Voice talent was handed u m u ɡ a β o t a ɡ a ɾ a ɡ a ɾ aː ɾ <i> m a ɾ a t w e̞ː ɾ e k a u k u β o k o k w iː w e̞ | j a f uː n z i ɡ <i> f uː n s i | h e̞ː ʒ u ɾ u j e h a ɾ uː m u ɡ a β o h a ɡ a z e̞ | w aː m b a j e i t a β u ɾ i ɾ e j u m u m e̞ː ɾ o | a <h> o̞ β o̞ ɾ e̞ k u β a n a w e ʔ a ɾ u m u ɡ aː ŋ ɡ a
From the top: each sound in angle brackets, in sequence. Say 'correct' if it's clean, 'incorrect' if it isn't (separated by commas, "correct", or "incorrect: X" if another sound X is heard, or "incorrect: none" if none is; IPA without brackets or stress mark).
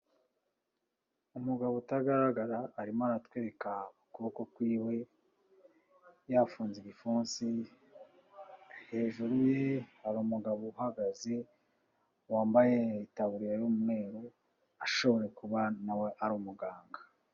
correct, correct, incorrect: ʃ